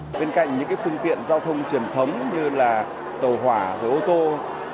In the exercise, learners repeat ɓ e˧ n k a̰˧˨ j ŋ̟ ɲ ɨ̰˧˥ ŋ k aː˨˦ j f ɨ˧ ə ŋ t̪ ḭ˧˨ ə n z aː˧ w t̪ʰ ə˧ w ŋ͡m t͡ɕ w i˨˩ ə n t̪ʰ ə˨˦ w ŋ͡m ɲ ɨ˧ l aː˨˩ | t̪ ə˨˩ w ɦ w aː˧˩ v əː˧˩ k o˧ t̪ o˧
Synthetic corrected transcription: ɓ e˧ n k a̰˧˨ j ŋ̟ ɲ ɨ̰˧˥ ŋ k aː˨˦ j f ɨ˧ ə ŋ t̪ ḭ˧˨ ə n z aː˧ w t̪ʰ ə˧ w ŋ͡m t͡ɕ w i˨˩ ə n t̪ʰ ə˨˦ w ŋ͡m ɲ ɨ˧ l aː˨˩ | t̪ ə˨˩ w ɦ w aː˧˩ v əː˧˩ ʔ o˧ t̪ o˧